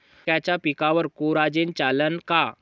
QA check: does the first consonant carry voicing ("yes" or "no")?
no